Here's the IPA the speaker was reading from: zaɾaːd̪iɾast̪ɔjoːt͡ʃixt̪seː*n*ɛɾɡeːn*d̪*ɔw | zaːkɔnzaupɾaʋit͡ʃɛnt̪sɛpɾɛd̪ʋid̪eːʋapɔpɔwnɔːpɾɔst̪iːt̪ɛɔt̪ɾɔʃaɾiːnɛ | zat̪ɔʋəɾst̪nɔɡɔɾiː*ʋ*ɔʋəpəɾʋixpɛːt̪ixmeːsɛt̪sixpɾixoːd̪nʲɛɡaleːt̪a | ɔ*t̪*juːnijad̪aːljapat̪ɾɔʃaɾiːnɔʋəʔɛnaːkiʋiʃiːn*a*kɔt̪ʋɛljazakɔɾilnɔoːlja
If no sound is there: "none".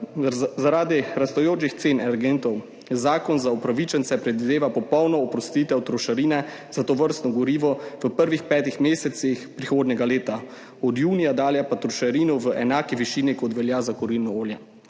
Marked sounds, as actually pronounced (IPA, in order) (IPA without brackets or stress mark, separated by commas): n, t̪, ʋ, d̪, i